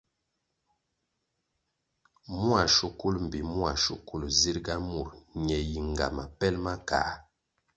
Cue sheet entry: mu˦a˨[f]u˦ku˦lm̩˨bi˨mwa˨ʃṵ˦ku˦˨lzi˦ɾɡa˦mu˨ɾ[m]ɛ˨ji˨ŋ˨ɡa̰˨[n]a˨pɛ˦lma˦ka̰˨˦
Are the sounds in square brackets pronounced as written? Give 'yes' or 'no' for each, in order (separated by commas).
no, no, no